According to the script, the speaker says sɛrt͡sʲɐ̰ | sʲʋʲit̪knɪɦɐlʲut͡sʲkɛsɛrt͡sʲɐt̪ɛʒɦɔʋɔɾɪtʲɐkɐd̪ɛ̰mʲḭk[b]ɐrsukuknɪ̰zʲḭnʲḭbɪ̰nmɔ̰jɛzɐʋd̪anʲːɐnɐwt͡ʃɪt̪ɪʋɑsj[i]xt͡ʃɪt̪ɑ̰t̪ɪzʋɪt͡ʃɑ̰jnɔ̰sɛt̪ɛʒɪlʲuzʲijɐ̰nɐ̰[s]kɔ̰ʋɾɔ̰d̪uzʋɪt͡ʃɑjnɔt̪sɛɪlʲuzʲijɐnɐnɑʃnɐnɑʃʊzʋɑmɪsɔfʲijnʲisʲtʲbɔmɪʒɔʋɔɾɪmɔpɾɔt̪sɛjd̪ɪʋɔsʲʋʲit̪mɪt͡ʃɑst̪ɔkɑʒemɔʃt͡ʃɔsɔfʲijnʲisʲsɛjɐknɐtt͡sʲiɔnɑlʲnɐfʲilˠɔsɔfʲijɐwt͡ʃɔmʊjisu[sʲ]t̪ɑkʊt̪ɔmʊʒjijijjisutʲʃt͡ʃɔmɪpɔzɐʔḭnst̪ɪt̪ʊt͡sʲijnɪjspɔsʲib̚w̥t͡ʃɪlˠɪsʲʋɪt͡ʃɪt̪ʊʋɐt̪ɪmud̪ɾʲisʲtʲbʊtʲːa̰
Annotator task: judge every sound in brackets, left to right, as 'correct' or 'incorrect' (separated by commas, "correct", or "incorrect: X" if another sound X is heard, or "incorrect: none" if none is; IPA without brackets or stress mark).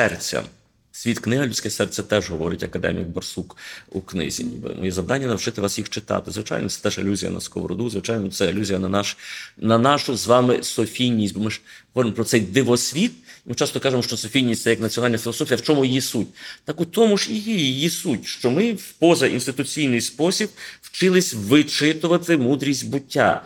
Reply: correct, correct, correct, incorrect: tʲ